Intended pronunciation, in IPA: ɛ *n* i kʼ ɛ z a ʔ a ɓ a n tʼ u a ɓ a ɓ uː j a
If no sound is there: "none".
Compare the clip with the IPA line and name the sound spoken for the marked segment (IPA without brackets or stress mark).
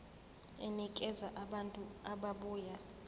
n